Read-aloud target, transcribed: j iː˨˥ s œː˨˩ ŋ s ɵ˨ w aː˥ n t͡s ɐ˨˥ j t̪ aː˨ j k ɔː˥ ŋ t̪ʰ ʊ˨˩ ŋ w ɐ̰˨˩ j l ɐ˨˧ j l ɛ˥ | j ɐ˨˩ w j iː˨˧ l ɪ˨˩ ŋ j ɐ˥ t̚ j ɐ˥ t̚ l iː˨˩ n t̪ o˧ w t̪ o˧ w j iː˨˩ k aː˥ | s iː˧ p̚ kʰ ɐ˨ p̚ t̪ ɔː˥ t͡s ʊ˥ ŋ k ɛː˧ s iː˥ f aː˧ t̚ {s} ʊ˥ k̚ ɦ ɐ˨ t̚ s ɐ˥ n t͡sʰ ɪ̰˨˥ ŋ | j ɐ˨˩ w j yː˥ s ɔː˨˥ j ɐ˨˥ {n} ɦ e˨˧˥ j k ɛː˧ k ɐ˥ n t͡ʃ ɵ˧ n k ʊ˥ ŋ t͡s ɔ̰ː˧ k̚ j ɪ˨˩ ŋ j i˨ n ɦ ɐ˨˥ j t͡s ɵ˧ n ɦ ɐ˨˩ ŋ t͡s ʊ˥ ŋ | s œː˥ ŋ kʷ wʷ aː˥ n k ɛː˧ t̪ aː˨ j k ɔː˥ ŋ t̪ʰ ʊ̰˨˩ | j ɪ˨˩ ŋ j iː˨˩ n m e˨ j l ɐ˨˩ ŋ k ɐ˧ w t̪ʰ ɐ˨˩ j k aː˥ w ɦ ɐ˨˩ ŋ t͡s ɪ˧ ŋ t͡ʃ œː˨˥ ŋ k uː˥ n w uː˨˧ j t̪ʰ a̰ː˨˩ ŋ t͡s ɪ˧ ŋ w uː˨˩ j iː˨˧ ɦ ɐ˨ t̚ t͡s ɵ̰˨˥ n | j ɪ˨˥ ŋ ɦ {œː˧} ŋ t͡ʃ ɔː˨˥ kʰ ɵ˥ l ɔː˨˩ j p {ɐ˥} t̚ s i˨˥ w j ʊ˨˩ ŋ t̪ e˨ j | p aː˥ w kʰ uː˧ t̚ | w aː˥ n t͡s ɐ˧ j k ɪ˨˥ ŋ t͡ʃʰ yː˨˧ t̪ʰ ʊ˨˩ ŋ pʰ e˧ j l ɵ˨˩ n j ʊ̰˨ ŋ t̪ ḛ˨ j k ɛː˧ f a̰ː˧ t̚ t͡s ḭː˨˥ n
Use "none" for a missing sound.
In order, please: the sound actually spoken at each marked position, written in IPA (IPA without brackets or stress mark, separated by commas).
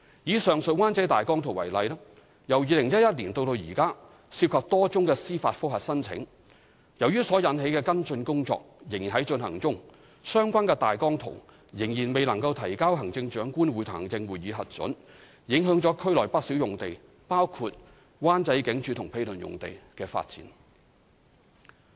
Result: f, n, œː˨˥, ɐ˥